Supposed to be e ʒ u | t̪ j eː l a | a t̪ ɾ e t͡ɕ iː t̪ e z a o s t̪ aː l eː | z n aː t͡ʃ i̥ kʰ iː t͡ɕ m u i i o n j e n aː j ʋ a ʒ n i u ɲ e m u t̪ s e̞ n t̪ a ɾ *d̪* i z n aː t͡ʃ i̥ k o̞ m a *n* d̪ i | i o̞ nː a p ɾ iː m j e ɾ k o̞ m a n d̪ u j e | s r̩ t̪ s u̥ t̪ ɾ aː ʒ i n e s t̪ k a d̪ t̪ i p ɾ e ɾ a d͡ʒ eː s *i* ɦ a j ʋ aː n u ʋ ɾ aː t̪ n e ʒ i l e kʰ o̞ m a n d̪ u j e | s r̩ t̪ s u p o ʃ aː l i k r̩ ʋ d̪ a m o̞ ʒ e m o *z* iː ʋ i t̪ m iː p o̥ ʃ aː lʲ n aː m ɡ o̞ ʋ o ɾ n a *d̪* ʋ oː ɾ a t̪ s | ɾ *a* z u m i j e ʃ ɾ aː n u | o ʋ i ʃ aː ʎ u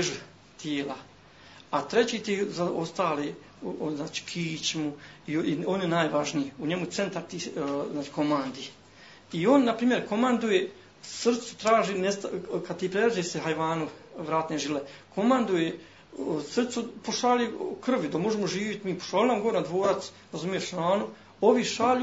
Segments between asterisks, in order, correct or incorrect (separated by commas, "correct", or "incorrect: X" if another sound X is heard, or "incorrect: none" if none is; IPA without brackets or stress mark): incorrect: t̪, correct, incorrect: e, incorrect: ʒ, correct, correct